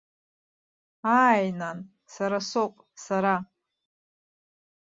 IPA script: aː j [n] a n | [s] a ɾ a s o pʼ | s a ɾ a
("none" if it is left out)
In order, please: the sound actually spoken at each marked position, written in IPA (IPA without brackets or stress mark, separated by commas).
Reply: n, s